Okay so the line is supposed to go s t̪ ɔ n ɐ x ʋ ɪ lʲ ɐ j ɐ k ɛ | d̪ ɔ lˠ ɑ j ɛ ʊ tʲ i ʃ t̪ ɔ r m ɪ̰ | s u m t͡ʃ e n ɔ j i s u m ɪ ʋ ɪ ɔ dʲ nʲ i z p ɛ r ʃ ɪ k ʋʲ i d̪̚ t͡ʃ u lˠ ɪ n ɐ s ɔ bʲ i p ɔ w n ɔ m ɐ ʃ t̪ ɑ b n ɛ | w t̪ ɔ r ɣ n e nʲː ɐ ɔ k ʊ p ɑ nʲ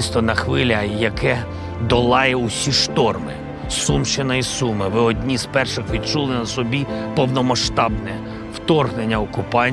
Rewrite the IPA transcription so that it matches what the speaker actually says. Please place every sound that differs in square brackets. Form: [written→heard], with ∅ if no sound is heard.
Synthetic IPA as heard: s t̪ ɔ n ɐ x ʋ ɪ lʲ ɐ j ɐ k ɛ | d̪ ɔ lˠ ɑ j ɛ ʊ [tʲ→sʲ] i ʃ t̪ ɔ r m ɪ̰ | s u m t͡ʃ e n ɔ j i s u m ɪ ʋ ɪ ɔ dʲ nʲ i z p ɛ r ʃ ɪ [k→x] ʋʲ i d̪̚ t͡ʃ u lˠ ɪ n ɐ s ɔ bʲ i p ɔ w n ɔ m ɐ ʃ t̪ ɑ b n ɛ | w t̪ ɔ r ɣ n e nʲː ɐ ɔ k ʊ p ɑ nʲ